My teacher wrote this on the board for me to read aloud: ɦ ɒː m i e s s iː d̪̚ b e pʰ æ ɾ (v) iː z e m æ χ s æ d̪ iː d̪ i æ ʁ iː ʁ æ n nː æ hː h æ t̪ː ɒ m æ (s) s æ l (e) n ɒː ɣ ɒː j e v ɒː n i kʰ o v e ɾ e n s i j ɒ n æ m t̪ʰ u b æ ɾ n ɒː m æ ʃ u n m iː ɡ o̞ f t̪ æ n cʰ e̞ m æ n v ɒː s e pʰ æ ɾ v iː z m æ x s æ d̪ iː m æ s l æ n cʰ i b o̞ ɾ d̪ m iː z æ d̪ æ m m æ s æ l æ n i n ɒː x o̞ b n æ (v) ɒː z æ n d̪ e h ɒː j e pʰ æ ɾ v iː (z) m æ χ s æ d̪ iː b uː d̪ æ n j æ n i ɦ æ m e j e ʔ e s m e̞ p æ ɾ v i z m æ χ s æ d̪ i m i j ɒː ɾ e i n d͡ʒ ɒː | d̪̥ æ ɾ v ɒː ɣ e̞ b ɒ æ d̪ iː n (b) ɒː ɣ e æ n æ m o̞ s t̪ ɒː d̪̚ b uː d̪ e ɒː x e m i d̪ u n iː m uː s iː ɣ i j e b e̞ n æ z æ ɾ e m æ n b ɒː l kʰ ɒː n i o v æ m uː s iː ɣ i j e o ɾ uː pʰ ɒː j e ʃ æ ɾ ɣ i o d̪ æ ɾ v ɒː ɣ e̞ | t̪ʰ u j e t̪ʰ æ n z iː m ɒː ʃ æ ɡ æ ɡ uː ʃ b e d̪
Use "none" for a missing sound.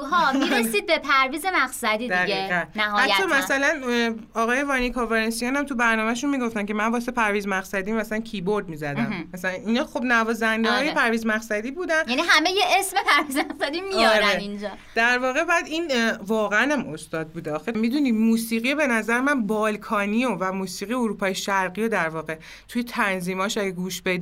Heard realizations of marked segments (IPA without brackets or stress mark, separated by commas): v, s, æ, v, z, v